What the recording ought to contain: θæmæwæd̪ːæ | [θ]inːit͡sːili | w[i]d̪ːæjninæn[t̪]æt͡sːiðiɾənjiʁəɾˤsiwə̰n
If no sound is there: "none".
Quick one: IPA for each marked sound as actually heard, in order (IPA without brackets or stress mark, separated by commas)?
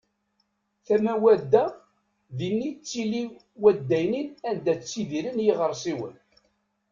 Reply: ð, æ, d̪